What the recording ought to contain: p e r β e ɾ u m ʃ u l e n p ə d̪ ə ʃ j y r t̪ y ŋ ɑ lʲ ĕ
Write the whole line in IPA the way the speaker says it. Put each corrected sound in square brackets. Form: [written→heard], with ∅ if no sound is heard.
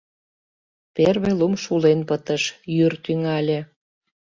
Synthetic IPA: p e r β e [ɾ→l] u m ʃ u l e n p ə [d̪→t̪] ə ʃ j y r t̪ y ŋ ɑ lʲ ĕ

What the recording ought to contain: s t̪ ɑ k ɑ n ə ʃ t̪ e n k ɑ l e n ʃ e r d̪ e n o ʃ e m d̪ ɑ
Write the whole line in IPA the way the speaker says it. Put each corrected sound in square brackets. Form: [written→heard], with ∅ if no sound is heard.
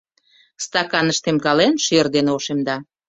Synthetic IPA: s t̪ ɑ k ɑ n ə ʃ t̪ e [n→m] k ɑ l e n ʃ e r d̪ e n o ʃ e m d̪ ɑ

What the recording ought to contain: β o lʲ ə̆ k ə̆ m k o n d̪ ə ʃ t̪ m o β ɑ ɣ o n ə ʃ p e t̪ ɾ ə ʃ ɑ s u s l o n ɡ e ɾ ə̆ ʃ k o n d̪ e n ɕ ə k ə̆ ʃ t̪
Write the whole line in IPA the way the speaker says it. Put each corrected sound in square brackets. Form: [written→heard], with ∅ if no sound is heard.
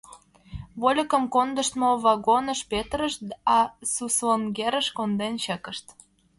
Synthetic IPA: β o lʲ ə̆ k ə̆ m k o n d̪ ə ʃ t̪ m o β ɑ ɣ o n ə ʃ p e t̪ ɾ ə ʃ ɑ s u s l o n ɡ e ɾ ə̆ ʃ k o n d̪ e n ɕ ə k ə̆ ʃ t̪

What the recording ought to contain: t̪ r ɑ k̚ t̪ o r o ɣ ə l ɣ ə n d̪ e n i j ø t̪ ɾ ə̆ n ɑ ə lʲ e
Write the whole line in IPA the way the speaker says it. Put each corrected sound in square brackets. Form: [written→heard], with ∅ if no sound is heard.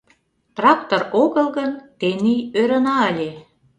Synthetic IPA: t̪ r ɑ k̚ t̪ o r o ɣ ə l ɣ ə n [d̪→t̪] e n i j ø [t̪→∅] ɾ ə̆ n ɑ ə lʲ e

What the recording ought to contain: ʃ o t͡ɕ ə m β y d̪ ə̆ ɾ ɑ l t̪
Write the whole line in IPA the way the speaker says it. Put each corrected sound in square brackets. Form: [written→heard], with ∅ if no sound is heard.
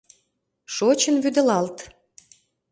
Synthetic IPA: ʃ o t͡ɕ ə [m→n] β y d̪ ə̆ [ɾ→l] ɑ l t̪

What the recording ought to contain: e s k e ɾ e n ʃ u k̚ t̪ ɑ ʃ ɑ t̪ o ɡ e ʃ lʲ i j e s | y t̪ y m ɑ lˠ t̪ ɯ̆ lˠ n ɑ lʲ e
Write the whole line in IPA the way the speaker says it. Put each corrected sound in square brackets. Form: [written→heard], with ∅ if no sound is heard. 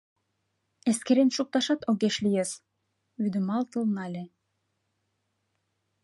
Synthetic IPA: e s k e ɾ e n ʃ u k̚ t̪ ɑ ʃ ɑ t̪ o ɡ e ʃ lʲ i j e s | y [t̪→d̪] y m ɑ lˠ t̪ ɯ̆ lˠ n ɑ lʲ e

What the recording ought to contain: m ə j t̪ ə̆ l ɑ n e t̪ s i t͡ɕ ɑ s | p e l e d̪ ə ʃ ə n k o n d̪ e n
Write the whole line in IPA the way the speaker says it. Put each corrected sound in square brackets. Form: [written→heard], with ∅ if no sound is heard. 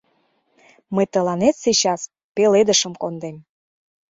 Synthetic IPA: m ə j t̪ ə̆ l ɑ n e t̪ s i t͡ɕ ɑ s | p e l e d̪ ə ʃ ə [n→m] k o n d̪ e [n→m]

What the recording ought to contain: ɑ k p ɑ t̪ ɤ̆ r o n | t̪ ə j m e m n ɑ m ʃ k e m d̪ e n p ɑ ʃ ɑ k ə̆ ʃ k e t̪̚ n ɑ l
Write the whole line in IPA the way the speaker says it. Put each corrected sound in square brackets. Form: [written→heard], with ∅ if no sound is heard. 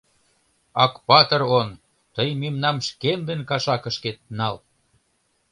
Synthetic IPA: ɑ k p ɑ t̪ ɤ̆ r o n | t̪ ə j m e m n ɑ m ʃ k e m d̪ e n [p→k] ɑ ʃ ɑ k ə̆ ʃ k e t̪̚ n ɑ l

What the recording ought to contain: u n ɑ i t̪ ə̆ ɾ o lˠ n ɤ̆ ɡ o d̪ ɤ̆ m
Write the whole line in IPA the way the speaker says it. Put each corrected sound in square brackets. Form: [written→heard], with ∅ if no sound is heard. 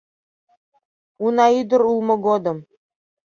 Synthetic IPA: u n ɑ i [t̪→d̪] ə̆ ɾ [o→u] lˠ [n→m] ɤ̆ ɡ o d̪ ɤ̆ m

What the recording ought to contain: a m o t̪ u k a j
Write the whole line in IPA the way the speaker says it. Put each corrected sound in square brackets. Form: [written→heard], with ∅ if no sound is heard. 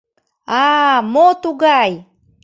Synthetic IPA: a m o t̪ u [k→ɡ] a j

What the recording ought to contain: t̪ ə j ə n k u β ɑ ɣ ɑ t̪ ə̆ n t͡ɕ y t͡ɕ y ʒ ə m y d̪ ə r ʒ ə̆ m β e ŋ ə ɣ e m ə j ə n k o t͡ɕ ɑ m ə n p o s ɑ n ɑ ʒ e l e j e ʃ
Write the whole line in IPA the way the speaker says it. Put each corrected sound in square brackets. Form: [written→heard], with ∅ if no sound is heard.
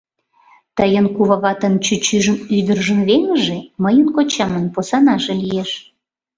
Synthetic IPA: t̪ ə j ə n k u β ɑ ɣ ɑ t̪ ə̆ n t͡ɕ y t͡ɕ y ʒ ə m y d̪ ə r ʒ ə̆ m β e ŋ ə [ɣ→ʒ] e m ə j ə n k o t͡ɕ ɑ m ə n p o s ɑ n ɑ ʒ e l [e→i] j e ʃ

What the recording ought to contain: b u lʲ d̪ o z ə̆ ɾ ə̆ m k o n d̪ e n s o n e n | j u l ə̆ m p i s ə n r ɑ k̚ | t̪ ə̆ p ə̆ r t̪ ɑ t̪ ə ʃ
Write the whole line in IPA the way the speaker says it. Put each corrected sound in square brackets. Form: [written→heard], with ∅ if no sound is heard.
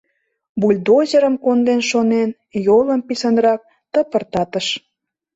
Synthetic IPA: b u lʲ d̪ o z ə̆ ɾ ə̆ m k o n d̪ e n [s→ʃ] o n e n | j [u→o] l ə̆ m p i s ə n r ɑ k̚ | t̪ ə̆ p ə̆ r t̪ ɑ t̪ ə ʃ

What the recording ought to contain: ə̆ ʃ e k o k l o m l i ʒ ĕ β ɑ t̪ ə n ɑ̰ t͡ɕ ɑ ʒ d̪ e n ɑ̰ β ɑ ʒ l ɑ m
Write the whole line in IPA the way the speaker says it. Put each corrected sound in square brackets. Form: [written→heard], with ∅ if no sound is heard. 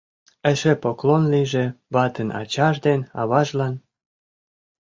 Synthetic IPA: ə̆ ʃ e [k→p] o k l o [m→n] l i ʒ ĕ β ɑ t̪ ə n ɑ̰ t͡ɕ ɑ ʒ d̪ e n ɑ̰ β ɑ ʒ l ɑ [m→n]

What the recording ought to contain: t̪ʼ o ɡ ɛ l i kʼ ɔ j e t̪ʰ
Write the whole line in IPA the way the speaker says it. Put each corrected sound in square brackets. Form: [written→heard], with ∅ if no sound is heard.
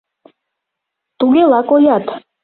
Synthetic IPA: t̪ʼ [o→u] ɡ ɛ l [i→a] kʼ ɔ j [e→a] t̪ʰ

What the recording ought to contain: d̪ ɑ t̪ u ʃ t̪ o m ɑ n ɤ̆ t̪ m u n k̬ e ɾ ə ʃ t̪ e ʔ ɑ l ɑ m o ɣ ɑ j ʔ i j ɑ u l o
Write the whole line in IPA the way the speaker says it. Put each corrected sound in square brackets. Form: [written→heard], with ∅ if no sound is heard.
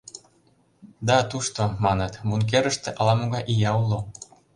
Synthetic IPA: d̪ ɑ t̪ u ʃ t̪ o m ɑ n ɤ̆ t̪ m u n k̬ e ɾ ə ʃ t̪ e ʔ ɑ l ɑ m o ɣ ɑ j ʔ i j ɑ u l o

